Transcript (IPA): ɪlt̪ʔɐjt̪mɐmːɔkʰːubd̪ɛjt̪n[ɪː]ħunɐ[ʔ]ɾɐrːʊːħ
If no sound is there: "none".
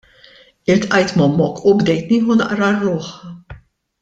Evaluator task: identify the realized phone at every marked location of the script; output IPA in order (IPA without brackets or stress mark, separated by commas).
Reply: iː, ʔ